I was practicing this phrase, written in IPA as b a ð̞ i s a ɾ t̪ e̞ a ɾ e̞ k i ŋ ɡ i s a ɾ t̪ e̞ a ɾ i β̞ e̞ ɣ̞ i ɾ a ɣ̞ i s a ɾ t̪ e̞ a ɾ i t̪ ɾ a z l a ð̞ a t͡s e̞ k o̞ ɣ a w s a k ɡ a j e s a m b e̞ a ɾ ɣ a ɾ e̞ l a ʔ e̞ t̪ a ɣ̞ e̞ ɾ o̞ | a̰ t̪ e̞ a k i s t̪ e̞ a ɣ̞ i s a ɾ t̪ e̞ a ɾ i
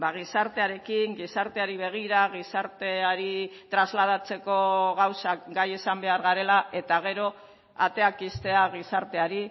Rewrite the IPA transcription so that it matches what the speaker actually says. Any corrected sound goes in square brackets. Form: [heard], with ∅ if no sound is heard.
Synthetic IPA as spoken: b a [ɣ̞] i s a ɾ t̪ e̞ a ɾ e̞ k i ŋ ɡ i s a ɾ t̪ e̞ a ɾ i β̞ e̞ ɣ̞ i ɾ a ɣ̞ i s a ɾ t̪ e̞ a ɾ i t̪ ɾ a z l a ð̞ a t͡s e̞ k o̞ ɣ a w s a k ɡ a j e s a m b e̞ a ɾ ɣ a ɾ e̞ l a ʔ e̞ t̪ a ɣ̞ e̞ ɾ o̞ | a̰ t̪ e̞ a k i s t̪ e̞ a ɣ̞ i s a ɾ t̪ e̞ a ɾ i